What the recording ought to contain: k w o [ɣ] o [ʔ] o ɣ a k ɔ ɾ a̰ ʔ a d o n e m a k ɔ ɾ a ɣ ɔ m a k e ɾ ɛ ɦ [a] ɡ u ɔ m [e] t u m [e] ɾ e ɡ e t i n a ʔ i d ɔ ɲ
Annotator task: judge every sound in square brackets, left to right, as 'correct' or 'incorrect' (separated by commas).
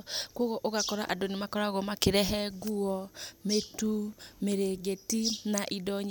correct, correct, incorrect, correct, correct